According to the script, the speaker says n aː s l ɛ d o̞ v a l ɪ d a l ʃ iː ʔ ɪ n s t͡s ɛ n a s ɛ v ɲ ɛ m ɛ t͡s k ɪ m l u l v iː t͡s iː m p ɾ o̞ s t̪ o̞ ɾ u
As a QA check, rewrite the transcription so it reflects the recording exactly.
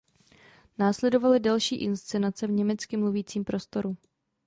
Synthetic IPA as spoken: n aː s l ɛ d o̞ v a l ɪ d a l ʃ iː ʔ ɪ n s t͡s ɛ n a t͡s ɛ v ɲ ɛ m ɛ t͡s k ɪ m l u v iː t͡s iː m p ɾ o̞ s t̪ o̞ ɾ u